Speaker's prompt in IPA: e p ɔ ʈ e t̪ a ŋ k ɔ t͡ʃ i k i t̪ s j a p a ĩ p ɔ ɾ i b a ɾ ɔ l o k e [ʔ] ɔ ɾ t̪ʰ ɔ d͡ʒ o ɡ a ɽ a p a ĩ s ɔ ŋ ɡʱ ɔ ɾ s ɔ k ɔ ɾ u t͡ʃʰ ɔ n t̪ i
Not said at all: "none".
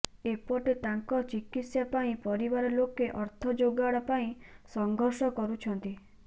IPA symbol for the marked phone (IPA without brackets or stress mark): ʔ